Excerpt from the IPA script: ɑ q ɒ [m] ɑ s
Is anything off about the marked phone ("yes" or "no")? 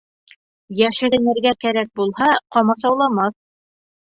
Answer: no